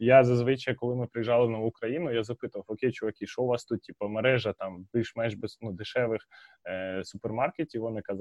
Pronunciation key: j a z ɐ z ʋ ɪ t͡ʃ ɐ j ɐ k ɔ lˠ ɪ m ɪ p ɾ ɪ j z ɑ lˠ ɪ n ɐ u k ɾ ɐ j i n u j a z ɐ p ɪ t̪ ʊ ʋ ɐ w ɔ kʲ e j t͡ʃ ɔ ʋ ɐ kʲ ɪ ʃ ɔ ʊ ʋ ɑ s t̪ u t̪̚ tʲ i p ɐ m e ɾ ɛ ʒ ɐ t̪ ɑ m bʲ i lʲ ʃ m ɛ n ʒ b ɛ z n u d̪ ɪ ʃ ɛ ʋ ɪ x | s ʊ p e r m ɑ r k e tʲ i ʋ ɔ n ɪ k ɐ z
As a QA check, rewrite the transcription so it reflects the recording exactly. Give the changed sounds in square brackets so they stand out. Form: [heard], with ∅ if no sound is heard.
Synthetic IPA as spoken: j a z ɐ z ʋ ɪ t͡ʃ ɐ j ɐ k ɔ lˠ ɪ m ɪ p ɾ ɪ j [ʒ] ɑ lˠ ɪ n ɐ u k ɾ ɐ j i n [ʊ] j a z ɐ p ɪ t̪ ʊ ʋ ɐ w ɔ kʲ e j t͡ʃ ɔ ʋ ɐ kʲ [i] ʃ ɔ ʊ ʋ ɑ s t̪ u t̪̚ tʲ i p ɐ m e ɾ ɛ ʒ ɐ t̪ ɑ m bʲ i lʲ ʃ m ɛ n ʒ b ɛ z n u d̪ ɪ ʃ ɛ ʋ ɪ x | s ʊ p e r m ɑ r k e tʲ i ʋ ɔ n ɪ k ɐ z